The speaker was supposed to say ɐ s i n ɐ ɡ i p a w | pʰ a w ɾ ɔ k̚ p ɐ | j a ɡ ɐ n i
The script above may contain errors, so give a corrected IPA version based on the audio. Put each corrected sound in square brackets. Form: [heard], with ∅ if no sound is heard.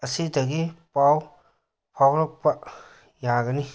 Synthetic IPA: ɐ s i [d] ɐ ɡ i p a w | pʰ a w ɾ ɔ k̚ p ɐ | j a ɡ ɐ n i